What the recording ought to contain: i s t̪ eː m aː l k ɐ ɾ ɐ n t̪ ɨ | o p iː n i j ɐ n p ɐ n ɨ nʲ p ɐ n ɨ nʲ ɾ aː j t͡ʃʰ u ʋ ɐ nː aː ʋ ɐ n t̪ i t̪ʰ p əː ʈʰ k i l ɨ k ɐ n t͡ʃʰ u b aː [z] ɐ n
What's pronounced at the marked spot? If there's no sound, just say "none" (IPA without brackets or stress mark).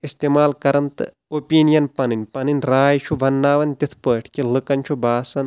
s